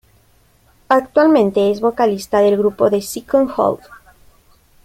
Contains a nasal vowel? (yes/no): yes